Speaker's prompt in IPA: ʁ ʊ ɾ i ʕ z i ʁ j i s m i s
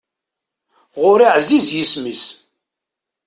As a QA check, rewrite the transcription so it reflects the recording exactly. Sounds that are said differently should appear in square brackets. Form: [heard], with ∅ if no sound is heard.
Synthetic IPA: ʁ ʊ ɾ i ʕ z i [z] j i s m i s

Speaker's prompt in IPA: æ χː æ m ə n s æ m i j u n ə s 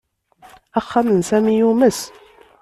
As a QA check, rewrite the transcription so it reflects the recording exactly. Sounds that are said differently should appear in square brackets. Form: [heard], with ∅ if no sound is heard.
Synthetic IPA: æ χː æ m ə n s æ m i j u [m] ə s

